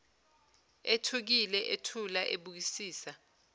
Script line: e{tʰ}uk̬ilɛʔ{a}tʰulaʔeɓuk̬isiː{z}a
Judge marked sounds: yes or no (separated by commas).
yes, no, no